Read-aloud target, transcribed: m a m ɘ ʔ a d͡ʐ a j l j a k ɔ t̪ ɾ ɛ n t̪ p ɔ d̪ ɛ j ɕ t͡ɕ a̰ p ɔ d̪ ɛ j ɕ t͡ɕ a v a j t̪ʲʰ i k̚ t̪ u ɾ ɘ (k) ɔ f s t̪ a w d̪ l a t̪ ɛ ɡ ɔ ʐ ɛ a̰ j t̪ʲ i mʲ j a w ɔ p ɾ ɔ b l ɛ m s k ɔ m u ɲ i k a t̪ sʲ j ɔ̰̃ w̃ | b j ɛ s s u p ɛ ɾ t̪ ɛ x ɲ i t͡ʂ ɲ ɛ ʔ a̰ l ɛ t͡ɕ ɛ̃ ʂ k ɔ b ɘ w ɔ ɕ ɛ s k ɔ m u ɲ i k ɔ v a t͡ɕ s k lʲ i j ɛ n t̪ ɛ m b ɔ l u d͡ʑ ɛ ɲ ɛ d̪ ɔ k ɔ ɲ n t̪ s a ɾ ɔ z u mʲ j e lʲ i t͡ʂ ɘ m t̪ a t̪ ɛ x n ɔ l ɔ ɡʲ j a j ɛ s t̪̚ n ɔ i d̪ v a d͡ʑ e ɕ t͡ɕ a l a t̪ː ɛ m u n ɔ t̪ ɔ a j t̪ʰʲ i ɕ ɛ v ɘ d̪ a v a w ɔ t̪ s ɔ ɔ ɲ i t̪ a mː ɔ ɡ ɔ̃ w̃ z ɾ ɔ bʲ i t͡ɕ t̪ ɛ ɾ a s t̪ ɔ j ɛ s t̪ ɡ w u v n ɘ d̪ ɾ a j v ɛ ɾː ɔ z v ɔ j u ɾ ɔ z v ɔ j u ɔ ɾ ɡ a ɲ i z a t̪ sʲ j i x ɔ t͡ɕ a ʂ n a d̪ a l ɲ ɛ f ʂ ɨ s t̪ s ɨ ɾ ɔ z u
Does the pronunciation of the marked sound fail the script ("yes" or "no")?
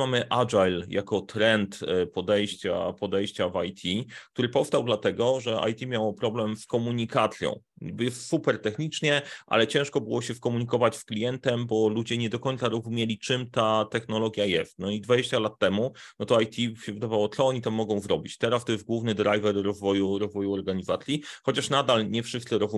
yes